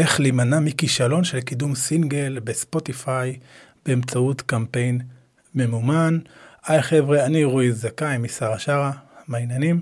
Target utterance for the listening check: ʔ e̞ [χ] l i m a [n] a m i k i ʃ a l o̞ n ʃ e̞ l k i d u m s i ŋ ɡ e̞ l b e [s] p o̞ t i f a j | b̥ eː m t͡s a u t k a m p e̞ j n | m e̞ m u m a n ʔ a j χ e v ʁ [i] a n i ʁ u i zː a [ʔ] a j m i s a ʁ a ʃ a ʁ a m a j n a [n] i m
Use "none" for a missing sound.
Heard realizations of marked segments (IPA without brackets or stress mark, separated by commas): χ, n, s, e, k, n